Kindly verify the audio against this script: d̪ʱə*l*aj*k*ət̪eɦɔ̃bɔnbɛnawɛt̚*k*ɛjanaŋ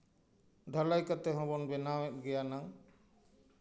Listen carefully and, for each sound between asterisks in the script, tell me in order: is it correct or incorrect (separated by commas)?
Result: correct, correct, incorrect